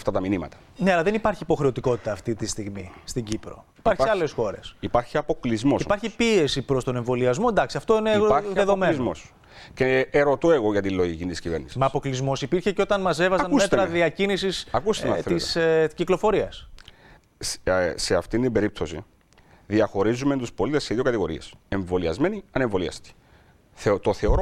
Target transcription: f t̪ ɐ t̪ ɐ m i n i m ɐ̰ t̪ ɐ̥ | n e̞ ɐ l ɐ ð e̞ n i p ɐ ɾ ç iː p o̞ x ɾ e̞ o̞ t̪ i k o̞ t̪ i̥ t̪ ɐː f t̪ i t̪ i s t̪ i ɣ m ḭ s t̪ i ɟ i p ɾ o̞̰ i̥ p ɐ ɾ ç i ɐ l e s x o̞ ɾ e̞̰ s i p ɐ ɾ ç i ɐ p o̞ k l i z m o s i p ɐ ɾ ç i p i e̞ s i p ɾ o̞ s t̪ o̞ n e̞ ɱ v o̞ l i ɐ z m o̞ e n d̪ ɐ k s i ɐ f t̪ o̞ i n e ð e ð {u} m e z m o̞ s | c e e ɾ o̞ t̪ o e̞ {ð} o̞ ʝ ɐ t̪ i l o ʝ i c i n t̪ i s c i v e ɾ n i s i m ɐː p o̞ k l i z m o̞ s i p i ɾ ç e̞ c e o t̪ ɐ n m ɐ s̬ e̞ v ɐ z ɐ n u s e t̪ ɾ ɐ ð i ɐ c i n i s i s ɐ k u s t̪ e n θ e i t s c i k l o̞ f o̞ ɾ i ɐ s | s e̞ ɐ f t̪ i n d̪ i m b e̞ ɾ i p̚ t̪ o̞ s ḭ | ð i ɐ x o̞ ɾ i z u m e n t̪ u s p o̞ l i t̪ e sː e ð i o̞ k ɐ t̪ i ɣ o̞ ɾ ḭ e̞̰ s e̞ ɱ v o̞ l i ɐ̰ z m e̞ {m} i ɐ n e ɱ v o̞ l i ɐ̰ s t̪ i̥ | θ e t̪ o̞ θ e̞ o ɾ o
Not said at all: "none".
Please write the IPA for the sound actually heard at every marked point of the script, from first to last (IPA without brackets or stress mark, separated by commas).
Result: o, ɣ, n